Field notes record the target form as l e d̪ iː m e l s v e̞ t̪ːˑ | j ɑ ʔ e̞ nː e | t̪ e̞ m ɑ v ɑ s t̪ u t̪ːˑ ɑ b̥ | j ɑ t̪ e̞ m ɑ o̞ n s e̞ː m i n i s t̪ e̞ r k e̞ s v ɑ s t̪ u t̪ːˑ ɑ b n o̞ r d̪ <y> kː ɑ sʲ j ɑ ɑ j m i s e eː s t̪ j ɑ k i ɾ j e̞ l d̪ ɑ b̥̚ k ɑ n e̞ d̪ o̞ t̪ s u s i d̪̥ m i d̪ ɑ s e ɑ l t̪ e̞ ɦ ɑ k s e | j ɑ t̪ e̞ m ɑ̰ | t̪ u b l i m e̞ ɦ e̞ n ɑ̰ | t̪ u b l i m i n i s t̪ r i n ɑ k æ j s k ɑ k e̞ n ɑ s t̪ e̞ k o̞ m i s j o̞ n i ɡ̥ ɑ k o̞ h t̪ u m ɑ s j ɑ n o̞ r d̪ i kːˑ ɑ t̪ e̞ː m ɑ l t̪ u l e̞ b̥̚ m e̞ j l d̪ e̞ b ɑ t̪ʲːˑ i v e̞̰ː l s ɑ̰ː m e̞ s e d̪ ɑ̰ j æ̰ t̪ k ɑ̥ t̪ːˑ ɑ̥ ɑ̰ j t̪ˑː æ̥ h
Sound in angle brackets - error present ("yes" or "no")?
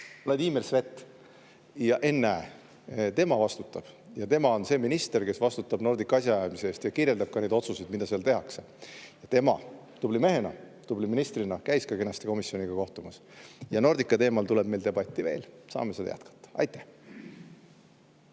yes